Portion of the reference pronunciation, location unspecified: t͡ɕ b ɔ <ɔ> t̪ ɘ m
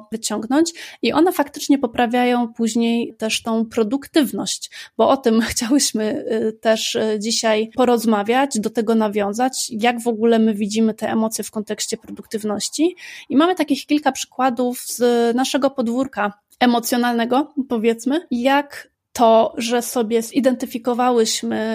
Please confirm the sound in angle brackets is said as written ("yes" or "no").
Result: yes